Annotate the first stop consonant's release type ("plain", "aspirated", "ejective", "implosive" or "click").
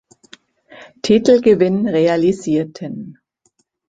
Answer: aspirated